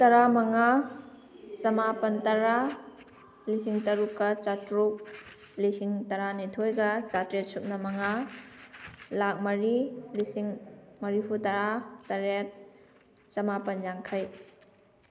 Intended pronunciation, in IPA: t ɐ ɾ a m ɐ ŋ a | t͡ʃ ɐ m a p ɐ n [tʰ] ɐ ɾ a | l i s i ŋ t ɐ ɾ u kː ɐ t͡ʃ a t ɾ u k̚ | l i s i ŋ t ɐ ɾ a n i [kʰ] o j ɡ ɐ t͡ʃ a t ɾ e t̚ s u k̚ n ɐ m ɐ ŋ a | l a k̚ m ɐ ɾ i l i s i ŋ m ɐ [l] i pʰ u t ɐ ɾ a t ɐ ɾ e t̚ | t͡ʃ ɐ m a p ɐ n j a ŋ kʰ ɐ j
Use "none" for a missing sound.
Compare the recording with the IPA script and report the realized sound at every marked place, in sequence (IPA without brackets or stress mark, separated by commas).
t, tʰ, ɾ